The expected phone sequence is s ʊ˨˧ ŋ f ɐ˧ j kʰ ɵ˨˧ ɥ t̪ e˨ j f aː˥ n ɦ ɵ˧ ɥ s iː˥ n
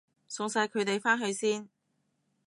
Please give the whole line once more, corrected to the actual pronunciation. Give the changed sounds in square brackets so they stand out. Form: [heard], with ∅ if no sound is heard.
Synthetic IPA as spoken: s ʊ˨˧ ŋ [s] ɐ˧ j kʰ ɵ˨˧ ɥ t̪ e˨ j f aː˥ n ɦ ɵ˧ ɥ s iː˥ n